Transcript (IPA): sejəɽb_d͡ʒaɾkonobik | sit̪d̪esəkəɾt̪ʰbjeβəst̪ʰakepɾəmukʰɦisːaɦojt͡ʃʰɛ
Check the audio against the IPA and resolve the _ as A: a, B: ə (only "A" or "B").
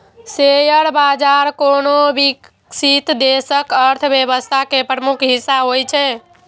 A